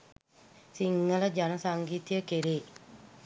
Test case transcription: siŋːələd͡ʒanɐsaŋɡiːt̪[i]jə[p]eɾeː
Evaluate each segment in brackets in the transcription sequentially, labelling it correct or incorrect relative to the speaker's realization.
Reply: correct, incorrect

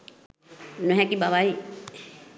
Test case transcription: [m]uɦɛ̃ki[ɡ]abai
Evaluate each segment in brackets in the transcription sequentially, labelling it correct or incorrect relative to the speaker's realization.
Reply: incorrect, incorrect

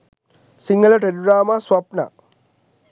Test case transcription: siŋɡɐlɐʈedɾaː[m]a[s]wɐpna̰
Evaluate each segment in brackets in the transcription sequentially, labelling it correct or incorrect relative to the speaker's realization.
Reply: correct, correct

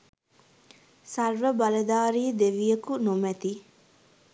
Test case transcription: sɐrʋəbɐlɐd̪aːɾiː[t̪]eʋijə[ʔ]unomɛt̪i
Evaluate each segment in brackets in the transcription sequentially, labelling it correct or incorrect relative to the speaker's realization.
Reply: incorrect, incorrect

